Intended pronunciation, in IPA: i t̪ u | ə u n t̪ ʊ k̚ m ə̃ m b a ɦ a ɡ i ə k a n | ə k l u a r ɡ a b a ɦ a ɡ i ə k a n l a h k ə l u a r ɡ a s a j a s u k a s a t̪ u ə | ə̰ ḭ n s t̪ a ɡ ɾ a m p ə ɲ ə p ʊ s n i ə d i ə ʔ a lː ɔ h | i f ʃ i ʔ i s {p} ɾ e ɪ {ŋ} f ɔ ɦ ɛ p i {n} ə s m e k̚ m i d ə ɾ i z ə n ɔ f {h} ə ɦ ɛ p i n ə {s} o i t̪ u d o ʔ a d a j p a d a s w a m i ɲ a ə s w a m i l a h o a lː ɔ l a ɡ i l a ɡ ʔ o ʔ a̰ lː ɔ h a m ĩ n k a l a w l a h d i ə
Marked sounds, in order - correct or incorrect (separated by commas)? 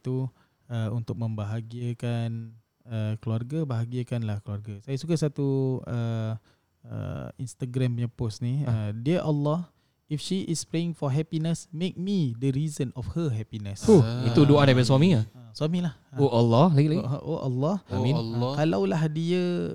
correct, correct, correct, correct, correct